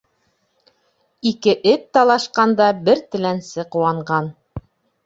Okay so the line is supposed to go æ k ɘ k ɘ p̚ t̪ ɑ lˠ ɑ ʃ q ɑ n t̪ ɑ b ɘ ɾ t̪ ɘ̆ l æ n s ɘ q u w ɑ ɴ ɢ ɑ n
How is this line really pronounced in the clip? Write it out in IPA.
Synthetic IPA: i k ɘ ʔ ɘ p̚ t̪ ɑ lˠ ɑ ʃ q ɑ n d̪ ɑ b ɘ ɾ t̪ ɘ̆ l æ n s ɘ q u w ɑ ɴ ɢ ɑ n